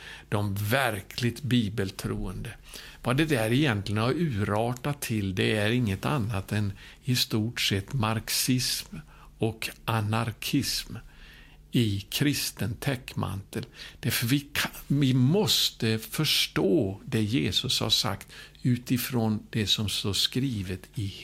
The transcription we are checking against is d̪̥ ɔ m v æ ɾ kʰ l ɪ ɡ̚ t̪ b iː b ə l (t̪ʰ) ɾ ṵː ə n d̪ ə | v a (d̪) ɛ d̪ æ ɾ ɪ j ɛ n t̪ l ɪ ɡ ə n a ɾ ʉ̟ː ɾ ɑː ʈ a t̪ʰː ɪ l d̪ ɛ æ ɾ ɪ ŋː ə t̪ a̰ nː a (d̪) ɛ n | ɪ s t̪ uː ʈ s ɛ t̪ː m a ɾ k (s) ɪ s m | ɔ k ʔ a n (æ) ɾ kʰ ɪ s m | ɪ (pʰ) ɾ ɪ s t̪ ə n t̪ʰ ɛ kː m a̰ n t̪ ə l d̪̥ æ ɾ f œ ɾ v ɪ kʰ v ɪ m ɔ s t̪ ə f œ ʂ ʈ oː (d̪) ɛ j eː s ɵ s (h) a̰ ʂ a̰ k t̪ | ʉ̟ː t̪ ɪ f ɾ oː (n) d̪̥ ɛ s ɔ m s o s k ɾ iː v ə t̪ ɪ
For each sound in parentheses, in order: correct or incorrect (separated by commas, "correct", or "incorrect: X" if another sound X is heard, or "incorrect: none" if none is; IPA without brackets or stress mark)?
correct, correct, incorrect: t̪, correct, incorrect: a, incorrect: kʰ, correct, correct, correct